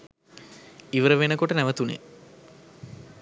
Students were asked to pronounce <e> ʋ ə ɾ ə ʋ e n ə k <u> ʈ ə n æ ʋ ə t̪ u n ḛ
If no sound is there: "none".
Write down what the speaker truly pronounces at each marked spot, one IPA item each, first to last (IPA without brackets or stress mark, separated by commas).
i, o